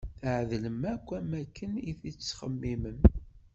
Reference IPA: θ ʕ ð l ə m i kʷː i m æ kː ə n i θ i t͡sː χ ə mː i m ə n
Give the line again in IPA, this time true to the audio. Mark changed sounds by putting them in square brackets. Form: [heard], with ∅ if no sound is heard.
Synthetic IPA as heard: θ ʕ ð l ə m [æ] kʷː [æ] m æ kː ə n i θ i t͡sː χ ə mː i m ə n